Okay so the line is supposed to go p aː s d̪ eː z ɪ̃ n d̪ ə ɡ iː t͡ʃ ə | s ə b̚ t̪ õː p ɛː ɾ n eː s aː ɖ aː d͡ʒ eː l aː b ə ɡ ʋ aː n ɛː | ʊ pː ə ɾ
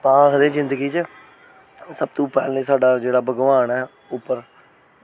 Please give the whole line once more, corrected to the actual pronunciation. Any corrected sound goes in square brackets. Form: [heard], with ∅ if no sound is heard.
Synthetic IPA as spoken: p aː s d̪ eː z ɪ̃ n d̪ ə ɡ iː t͡ʃ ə | s ə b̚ t̪ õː p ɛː [l] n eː s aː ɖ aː d͡ʒ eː [ɽ] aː b ə ɡ ʋ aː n ɛː | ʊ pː ə ɾ